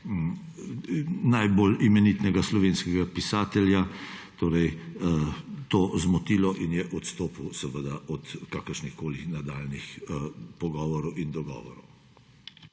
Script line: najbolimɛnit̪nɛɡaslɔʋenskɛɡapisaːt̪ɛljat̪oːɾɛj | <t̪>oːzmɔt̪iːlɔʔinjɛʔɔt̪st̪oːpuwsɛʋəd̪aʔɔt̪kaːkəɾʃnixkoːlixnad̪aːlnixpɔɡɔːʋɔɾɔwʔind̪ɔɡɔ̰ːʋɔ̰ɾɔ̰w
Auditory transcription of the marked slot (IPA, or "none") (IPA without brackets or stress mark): t̪